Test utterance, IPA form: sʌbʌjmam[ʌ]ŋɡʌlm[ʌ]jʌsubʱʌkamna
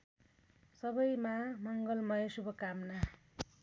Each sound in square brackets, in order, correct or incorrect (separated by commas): correct, correct